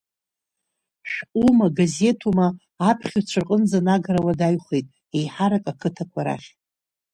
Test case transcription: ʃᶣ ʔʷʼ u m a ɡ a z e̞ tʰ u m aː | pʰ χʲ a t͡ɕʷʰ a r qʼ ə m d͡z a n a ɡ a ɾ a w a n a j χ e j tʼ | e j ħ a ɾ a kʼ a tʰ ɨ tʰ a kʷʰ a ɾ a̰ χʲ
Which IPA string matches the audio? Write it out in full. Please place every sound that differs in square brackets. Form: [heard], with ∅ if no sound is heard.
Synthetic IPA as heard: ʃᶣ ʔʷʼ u m a ɡ a z e̞ tʰ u m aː | pʰ χʲ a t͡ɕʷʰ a r qʼ ə [n] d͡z a n a ɡ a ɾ a w a [d] a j χ e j tʼ | e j ħ a ɾ a kʼ a [kʰ] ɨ tʰ a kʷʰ a ɾ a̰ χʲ